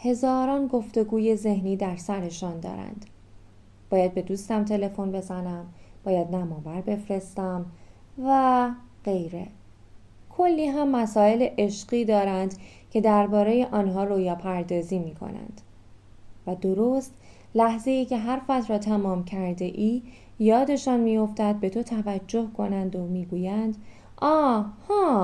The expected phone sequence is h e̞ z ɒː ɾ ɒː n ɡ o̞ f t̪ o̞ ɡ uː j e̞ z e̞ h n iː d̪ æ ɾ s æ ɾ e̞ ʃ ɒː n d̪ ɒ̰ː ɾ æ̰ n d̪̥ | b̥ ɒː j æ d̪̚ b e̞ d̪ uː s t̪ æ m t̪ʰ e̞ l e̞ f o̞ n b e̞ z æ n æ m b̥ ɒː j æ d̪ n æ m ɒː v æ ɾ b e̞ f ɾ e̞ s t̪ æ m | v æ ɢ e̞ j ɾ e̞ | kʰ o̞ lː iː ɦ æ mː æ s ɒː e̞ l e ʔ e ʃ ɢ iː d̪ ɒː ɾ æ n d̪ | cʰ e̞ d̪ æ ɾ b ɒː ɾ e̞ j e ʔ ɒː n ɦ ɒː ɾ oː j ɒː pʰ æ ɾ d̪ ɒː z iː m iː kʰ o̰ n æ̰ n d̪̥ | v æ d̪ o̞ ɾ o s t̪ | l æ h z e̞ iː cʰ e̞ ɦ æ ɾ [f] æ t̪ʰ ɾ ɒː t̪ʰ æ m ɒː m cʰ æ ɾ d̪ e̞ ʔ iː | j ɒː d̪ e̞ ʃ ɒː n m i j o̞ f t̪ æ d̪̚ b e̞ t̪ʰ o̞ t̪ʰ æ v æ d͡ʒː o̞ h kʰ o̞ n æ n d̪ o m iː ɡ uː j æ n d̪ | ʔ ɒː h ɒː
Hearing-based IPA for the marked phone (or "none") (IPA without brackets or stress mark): f